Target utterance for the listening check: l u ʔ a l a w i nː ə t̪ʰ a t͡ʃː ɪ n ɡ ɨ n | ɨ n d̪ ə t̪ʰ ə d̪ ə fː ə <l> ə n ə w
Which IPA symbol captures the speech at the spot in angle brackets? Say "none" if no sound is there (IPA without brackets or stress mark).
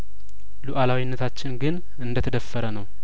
ɾ